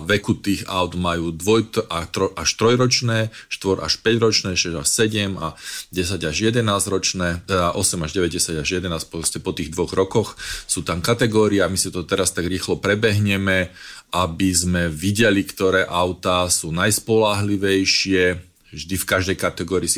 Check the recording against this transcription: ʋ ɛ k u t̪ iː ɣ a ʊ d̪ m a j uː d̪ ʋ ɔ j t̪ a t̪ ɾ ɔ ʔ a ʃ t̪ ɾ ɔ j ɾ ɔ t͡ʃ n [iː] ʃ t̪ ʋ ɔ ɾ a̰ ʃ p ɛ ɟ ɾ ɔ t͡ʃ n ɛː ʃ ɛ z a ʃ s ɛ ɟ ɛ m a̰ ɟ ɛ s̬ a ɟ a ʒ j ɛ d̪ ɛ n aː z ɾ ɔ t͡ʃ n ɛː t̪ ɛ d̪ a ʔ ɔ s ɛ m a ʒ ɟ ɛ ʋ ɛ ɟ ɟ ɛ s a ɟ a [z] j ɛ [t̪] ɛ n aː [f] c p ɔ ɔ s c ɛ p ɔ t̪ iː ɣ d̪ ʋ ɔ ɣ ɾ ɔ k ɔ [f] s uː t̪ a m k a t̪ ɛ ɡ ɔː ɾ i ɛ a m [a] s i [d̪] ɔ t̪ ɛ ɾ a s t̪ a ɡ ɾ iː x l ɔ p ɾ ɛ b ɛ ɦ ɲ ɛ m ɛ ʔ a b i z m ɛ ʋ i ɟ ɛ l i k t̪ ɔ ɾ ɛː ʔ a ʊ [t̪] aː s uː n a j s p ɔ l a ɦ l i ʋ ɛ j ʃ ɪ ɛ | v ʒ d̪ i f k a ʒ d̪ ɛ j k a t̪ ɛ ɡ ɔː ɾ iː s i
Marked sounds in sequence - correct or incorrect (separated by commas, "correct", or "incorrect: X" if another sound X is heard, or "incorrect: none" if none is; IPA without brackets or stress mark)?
incorrect: ɛː, incorrect: ʒ, incorrect: d̪, incorrect: s, incorrect: x, incorrect: i, incorrect: t̪, correct